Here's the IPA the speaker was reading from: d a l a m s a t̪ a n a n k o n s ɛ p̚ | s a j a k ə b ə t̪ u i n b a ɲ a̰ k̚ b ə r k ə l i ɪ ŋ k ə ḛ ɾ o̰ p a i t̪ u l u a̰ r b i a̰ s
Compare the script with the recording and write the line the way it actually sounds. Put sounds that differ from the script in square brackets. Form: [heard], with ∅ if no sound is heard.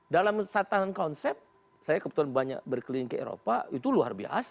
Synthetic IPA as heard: d a l a m s a t̪ a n a n k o n s ɛ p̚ | s a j a k ə b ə t̪ u [a] n b a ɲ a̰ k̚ b ə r k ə l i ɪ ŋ k ə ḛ ɾ o̰ p a i t̪ u l u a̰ r b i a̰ s